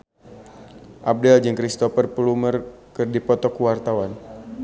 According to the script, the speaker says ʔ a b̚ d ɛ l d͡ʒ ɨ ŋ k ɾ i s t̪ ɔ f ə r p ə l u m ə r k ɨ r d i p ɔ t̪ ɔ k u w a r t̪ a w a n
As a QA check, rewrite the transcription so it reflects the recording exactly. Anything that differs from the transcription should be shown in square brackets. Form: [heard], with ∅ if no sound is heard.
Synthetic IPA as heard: ʔ a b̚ d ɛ l d͡ʒ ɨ ŋ k ɾ i s t̪ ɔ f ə r p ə l u m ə r k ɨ r d i p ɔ t̪ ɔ k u w a r t̪ a w a n